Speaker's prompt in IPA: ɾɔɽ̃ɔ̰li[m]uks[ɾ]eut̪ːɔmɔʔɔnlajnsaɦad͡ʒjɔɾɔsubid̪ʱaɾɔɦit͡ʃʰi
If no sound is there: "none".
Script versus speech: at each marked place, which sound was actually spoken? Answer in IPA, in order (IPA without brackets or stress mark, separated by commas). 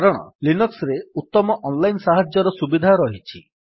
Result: n, ɾ